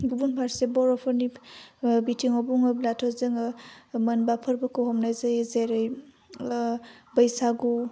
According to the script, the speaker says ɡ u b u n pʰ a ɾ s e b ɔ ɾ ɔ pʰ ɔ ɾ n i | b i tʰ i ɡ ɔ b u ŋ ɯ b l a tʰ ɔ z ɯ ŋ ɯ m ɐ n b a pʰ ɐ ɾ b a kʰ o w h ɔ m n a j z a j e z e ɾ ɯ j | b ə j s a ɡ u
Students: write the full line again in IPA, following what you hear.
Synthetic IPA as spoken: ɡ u b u n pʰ a ɾ s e b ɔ ɾ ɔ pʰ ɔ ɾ n i | b i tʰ i ŋ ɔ b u ŋ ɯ b l a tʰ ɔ z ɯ ŋ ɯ m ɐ n b a pʰ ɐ ɾ b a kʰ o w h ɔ m n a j z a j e z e ɾ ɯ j | b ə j s a ɡ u